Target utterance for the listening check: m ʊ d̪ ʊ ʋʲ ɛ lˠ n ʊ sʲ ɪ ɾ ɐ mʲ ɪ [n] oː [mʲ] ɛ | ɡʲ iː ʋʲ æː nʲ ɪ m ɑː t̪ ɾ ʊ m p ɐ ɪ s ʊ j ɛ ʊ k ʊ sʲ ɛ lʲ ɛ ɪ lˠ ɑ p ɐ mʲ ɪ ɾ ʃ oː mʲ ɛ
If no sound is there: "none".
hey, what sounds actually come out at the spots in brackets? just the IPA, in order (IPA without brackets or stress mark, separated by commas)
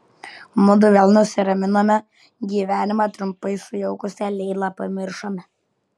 n, mʲ